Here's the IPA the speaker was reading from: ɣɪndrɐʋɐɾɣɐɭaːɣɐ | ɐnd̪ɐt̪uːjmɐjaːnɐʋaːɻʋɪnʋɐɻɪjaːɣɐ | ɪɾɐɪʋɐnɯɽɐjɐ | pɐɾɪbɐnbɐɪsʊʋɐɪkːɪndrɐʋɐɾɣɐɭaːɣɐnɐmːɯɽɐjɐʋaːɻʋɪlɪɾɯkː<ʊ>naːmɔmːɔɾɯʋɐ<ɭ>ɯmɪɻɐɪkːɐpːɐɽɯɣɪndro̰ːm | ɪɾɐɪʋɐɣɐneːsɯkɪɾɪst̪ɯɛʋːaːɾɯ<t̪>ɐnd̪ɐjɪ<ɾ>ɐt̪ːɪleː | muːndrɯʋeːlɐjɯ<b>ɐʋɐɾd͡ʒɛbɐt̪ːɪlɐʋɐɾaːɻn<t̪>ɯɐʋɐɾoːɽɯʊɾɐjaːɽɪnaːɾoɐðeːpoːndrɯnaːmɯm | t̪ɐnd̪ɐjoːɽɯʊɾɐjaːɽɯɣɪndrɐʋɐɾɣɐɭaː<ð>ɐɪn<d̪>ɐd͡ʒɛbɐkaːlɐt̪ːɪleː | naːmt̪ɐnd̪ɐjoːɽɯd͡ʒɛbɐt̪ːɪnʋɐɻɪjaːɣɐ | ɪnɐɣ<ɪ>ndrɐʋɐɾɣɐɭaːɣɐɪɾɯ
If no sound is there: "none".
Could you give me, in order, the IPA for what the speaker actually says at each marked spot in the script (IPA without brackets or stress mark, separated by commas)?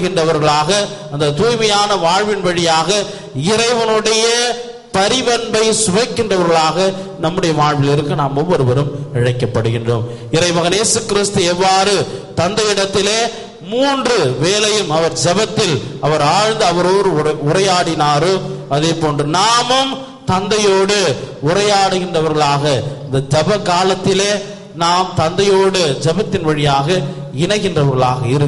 ɯ, ɾ, t̪, ɽ, m, d̪, ɣ, d̪, ɪ